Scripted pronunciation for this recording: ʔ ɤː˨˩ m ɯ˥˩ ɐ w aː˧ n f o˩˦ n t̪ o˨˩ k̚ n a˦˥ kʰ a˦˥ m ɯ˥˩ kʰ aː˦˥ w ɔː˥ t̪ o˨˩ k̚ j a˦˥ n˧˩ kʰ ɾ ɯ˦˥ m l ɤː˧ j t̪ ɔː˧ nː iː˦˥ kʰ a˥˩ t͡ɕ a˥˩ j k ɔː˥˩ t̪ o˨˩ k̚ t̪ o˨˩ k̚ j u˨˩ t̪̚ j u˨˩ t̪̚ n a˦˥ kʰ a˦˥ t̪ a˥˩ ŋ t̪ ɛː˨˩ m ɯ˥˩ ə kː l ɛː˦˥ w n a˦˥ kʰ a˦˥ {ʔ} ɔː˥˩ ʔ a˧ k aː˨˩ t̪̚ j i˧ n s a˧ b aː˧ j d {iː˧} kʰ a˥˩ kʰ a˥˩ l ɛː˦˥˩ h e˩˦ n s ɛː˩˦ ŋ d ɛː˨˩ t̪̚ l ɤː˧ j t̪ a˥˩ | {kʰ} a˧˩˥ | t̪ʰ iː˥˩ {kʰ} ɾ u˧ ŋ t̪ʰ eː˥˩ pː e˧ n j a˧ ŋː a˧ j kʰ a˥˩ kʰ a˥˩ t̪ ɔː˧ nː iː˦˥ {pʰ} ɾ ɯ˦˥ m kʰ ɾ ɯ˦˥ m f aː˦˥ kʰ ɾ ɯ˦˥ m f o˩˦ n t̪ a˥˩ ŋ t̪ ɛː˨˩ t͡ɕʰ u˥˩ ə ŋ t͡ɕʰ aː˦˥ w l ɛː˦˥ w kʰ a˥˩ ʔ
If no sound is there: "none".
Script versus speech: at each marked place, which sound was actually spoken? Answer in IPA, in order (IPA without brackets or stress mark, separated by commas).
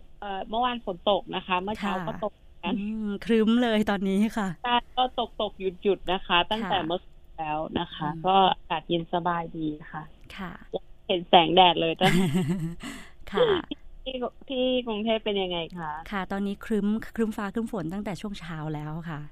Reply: k, iː˧, kʰ, k, kʰ